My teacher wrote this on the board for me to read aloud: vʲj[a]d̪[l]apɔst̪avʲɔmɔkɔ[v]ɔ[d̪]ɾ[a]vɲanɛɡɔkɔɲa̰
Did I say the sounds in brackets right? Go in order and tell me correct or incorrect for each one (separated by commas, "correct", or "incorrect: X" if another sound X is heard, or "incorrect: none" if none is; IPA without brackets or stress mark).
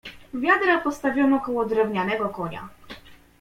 correct, incorrect: ɾ, incorrect: w, correct, incorrect: ɛ